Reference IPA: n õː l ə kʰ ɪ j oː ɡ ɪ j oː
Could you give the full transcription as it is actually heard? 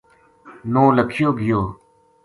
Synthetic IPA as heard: n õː l ə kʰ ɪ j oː ɡ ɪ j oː